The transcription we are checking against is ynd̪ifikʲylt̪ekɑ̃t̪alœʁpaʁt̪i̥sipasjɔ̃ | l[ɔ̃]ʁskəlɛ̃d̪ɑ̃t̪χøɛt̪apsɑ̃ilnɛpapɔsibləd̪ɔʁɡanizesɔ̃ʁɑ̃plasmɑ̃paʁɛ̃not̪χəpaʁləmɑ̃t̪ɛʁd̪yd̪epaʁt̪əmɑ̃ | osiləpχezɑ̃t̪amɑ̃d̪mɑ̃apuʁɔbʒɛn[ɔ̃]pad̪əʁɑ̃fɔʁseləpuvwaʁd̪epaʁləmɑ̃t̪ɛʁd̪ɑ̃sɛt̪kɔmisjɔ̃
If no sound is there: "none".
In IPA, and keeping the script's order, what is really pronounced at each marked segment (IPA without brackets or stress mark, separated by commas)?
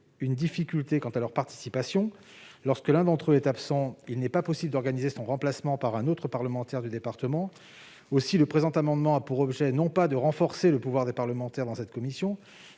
ɔ, ɔ̃